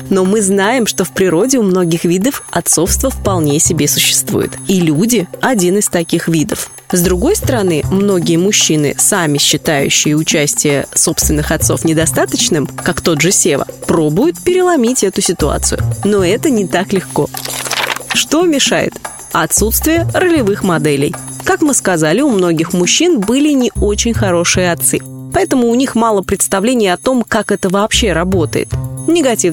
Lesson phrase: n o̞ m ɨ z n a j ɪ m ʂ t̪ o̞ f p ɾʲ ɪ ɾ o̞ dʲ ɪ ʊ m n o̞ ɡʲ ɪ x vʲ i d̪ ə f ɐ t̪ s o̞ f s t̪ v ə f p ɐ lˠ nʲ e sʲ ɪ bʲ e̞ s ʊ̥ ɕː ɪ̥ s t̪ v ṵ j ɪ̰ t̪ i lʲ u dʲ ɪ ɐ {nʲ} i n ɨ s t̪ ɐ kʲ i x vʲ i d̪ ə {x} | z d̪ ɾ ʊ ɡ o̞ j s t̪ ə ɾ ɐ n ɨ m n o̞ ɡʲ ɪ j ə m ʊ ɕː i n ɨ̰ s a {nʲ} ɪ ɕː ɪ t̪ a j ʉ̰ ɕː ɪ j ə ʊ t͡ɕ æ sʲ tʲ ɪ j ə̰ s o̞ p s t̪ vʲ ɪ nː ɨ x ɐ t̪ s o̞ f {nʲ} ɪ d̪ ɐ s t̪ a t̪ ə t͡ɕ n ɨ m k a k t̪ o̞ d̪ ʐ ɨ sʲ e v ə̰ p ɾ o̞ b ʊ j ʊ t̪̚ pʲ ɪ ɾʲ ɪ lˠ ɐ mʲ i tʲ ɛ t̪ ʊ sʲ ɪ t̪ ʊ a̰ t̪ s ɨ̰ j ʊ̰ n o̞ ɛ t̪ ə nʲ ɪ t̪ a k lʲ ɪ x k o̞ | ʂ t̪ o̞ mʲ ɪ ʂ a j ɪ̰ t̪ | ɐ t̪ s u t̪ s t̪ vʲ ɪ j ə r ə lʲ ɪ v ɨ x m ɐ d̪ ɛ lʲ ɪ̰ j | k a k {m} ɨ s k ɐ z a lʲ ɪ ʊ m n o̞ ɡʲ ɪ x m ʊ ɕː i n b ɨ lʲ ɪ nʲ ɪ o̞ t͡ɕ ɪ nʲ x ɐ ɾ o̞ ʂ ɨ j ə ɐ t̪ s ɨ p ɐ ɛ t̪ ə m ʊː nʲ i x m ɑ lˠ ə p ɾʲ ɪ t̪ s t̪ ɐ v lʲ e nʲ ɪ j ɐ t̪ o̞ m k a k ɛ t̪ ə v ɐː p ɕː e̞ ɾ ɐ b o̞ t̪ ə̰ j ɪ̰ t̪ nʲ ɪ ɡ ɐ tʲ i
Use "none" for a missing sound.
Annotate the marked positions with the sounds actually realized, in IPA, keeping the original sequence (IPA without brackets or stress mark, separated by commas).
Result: dʲ, f, mʲ, nʲ, m